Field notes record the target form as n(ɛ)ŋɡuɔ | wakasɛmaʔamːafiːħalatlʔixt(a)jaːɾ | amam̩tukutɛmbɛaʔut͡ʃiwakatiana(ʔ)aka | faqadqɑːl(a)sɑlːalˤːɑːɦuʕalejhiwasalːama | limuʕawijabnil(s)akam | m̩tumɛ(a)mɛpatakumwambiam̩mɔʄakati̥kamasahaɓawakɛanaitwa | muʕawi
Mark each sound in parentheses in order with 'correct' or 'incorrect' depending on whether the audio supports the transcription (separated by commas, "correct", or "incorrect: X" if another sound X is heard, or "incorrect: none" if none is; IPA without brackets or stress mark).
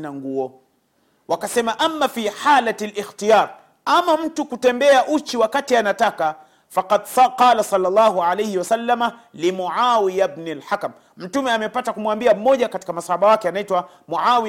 incorrect: a, incorrect: i, incorrect: t, correct, incorrect: ħ, correct